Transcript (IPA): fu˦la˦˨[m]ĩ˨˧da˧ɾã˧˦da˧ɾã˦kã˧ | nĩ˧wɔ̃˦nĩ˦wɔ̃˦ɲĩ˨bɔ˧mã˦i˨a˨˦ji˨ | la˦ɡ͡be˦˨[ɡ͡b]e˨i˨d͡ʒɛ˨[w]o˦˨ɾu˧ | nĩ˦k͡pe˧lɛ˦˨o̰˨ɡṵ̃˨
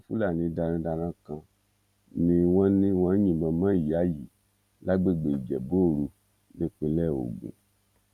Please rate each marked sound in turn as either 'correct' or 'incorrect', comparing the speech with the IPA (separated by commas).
incorrect, correct, incorrect